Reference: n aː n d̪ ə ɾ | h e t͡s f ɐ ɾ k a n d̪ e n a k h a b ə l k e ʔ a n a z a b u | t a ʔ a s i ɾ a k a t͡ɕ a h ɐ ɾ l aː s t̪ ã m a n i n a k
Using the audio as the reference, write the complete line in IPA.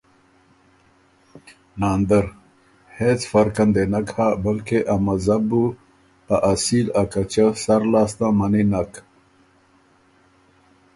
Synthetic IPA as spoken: n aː n d̪ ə ɾ | h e t͡s f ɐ ɾ k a n d̪ e n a k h a b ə l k e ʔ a m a z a b u | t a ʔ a s i l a k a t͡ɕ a s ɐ ɾ l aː s t̪ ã m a n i n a k